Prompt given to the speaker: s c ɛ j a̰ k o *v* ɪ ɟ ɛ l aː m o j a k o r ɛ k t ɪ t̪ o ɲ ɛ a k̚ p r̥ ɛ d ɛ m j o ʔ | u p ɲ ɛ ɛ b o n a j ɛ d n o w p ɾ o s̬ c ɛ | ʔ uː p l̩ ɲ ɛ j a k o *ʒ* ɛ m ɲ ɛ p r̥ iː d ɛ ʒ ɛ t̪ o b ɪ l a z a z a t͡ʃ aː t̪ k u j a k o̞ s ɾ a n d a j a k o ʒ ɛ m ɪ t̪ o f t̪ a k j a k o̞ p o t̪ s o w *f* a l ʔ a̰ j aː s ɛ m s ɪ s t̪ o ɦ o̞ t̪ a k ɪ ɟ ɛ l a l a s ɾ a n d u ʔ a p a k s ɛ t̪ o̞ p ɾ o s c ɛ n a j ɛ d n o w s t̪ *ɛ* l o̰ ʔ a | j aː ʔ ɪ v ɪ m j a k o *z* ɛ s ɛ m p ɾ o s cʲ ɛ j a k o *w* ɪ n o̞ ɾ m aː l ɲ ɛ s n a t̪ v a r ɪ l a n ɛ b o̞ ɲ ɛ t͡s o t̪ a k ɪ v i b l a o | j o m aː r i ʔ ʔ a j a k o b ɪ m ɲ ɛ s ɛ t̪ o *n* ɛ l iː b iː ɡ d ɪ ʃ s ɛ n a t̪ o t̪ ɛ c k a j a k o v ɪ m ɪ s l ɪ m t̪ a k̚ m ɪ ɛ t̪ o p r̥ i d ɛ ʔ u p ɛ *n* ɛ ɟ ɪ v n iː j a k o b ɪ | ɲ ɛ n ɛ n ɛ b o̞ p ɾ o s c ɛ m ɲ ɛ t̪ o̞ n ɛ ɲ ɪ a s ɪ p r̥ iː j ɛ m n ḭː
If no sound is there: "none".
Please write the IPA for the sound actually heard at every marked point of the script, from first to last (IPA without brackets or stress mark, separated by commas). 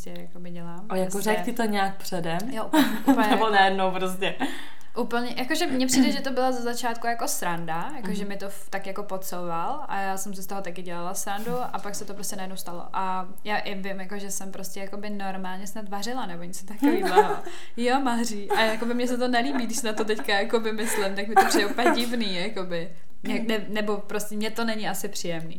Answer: b, ʒ, v, a, ʒ, b, n, ɲ